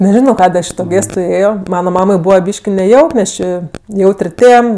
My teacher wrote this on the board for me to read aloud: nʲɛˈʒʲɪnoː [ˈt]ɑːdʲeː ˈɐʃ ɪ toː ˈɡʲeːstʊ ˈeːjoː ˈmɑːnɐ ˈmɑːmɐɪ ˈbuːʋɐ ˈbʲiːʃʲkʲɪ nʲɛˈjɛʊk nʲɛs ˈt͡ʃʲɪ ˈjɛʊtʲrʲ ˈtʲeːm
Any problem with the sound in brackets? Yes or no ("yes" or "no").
yes